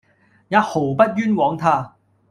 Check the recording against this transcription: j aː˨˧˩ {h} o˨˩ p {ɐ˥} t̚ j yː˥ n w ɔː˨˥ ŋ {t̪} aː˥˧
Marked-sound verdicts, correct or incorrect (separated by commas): correct, correct, incorrect